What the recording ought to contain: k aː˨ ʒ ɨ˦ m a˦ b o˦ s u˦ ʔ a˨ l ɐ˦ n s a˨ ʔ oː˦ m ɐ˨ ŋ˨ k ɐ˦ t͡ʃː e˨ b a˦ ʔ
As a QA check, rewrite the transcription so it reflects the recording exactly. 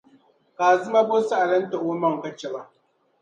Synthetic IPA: k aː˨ z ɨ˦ m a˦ b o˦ s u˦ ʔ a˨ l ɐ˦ n t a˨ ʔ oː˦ m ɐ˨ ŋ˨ k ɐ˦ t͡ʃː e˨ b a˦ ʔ